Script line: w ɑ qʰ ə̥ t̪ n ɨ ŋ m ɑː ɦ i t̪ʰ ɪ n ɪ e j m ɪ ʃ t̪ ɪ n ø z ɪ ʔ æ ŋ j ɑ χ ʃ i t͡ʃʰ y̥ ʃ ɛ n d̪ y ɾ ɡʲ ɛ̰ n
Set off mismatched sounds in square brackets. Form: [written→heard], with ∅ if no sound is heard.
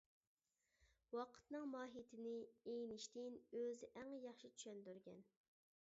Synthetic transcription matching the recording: w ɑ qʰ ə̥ t̪ n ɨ ŋ m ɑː ɦ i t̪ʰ ɪ n ɪ e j [m→n] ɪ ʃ t̪ ɪ n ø z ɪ ʔ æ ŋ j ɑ χ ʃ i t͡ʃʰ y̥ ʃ ɛ n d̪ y ɾ ɡʲ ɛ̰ n

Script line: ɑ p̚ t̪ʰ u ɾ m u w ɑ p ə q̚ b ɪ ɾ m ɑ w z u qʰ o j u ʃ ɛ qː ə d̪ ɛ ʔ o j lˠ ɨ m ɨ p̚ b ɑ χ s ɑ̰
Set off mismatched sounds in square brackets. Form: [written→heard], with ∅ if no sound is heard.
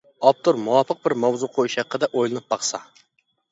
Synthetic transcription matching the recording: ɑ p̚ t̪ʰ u ɾ m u w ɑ p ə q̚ b ɪ ɾ m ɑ w z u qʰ o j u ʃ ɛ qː ə d̪ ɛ ʔ o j lˠ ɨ [m→n] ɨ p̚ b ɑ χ s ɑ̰

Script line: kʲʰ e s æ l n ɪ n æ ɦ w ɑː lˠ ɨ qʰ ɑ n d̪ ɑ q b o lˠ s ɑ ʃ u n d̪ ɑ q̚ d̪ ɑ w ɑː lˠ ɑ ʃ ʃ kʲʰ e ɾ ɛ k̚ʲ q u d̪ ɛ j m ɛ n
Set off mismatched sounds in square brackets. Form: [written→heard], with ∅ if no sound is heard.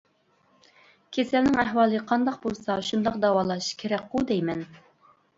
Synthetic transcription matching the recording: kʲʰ e s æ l n ɪ [n→ŋ] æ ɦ w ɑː lˠ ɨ qʰ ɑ n d̪ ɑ q b o lˠ s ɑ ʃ u n d̪ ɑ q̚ d̪ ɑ w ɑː lˠ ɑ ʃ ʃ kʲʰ e ɾ ɛ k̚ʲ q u d̪ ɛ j m ɛ n

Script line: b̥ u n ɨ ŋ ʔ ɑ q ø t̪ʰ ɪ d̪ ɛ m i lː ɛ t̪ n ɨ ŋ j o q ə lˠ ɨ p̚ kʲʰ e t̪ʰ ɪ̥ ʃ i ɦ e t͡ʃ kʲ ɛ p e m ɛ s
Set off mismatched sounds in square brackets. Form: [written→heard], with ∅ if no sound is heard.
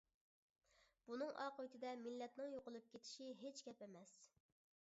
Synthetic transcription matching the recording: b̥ u n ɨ ŋ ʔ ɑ q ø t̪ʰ ɪ d̪ ɛ m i lː ɛ t̪ n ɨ ŋ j o q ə lˠ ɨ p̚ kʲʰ e t̪ʰ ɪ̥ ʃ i ɦ e t͡ʃ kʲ ɛ p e m ɛ s

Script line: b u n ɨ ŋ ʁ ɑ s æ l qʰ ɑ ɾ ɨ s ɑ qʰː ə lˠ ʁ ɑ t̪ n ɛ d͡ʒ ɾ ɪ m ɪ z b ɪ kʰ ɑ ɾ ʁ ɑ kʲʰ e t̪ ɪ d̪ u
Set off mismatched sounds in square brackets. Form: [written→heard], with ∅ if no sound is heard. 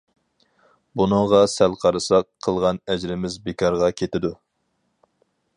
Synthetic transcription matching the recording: b u n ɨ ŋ ʁ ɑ s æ l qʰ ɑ ɾ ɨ s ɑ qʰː ə lˠ ʁ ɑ [t̪→∅] n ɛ d͡ʒ ɾ ɪ m ɪ z b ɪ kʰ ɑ ɾ ʁ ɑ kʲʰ e t̪ ɪ d̪ u

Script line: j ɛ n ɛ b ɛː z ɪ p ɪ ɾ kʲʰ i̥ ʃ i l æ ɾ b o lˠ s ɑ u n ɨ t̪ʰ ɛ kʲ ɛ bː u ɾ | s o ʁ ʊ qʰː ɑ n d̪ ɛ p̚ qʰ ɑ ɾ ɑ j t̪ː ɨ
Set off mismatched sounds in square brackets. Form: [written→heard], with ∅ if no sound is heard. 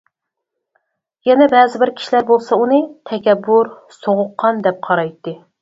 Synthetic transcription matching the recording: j ɛ n ɛ b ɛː z ɪ [p→b] ɪ ɾ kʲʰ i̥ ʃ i l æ ɾ b o lˠ s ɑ u n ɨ t̪ʰ ɛ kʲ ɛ bː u ɾ | s o ʁ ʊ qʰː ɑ n d̪ ɛ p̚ qʰ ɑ ɾ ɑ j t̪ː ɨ

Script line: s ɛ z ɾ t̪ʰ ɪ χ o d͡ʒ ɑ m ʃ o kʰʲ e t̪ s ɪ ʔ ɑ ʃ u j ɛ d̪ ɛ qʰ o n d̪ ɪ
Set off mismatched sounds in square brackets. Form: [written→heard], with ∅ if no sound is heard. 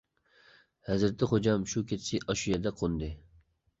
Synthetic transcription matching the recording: [s→h] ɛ z ɾ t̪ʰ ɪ χ o d͡ʒ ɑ m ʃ [o→u] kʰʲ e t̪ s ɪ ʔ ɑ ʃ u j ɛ d̪ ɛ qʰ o n d̪ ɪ

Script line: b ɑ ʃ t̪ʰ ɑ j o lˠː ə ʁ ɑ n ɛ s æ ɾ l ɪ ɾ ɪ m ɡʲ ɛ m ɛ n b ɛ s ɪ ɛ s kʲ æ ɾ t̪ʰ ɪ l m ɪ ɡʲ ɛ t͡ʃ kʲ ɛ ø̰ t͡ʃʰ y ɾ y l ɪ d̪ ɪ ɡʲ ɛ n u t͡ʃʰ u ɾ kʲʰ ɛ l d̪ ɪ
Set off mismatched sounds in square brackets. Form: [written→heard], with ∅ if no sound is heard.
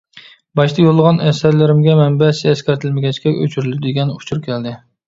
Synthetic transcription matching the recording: b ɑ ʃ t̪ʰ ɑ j o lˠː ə ʁ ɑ n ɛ s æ ɾ l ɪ ɾ ɪ m ɡʲ ɛ m ɛ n b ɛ s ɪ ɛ s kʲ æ ɾ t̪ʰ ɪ l m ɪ ɡʲ ɛ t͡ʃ kʲ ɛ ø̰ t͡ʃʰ y ɾ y l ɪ d̪ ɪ ɡʲ ɛ n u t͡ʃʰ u ɾ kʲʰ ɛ l d̪ ɪ

